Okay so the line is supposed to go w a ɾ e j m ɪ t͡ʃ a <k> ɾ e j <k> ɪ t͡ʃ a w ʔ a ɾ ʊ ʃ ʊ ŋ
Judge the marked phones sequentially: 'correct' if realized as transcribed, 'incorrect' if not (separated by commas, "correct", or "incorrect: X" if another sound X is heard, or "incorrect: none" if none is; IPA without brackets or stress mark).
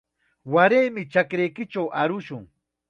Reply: correct, correct